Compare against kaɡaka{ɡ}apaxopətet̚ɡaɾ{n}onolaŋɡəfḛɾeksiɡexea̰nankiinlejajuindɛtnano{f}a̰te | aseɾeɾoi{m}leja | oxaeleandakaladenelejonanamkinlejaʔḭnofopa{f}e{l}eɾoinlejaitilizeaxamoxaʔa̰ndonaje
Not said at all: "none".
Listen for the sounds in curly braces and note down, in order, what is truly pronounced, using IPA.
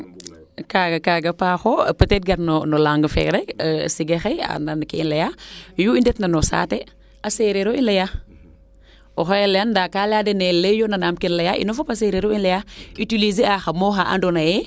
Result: ɡ, n, s, n, s, ɾ

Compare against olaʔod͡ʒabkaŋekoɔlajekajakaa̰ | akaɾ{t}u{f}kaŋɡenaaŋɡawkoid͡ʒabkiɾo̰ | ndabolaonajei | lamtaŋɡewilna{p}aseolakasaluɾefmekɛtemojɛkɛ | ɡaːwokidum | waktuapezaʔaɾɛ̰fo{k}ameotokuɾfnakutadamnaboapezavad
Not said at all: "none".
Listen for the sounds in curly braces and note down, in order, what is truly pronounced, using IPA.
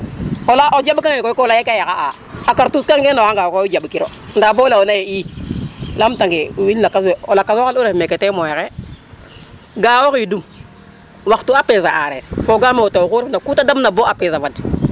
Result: t, s, k, ɡ

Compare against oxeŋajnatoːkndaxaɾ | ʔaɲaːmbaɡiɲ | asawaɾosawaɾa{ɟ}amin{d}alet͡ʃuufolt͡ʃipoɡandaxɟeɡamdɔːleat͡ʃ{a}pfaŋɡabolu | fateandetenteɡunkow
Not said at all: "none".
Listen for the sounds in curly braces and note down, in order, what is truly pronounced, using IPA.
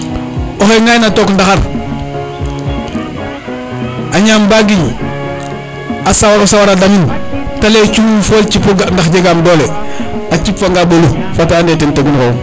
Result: d, t, i

